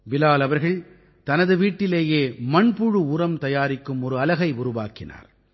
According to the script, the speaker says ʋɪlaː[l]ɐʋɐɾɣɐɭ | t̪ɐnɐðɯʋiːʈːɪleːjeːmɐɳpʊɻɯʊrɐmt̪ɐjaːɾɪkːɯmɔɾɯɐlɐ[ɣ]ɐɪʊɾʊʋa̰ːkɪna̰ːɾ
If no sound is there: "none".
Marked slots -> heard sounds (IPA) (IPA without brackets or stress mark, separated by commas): l, ɣ